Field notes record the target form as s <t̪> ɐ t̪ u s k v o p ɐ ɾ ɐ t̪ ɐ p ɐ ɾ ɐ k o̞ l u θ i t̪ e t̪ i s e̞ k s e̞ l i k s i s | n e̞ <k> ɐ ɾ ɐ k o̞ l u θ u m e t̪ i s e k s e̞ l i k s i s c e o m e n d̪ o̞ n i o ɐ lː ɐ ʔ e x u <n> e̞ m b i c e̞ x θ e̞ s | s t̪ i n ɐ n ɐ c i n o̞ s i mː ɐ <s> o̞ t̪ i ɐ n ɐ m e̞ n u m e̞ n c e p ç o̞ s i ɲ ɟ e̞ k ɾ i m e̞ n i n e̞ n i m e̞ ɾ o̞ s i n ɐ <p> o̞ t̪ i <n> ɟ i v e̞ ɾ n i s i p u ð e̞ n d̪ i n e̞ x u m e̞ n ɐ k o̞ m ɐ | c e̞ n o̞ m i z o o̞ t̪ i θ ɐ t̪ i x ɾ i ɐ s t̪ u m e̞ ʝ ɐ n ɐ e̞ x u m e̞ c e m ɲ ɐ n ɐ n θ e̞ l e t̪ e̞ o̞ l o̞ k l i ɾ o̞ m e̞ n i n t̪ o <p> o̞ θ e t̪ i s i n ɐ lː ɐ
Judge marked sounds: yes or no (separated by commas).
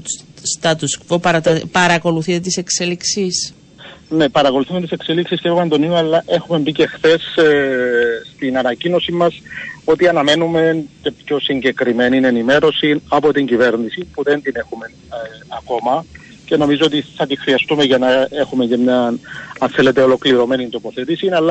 yes, no, no, yes, yes, no, yes